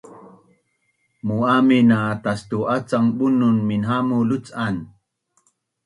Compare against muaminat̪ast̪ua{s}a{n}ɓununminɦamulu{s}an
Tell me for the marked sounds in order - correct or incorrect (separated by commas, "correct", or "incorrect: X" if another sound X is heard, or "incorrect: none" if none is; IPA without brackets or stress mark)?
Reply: incorrect: t͡s, incorrect: ŋ, incorrect: t͡s